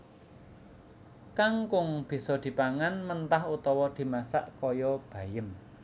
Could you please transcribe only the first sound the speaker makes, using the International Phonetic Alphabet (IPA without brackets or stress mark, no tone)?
k